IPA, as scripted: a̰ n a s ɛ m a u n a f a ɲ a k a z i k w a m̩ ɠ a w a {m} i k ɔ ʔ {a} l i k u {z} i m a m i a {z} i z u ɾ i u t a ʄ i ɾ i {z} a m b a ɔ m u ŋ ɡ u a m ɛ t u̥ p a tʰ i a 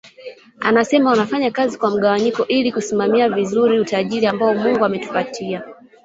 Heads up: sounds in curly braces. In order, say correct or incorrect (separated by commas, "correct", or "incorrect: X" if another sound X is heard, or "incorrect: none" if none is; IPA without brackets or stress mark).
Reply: incorrect: ɲ, incorrect: i, incorrect: s, incorrect: v, incorrect: none